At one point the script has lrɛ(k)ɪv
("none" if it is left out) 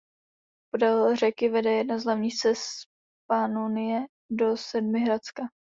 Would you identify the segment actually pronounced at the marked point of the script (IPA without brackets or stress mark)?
k